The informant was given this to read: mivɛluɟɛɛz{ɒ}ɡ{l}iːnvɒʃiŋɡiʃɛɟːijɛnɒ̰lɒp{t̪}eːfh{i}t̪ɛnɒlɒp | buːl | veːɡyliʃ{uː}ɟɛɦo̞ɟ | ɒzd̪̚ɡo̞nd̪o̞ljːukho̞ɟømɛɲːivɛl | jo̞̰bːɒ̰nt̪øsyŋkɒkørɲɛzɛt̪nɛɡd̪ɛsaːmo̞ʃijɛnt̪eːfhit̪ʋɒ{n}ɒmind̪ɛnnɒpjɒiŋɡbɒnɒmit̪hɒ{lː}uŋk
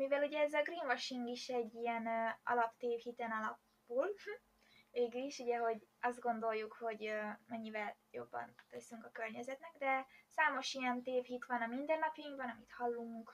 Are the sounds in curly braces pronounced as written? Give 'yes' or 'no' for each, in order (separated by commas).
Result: yes, no, yes, yes, no, yes, yes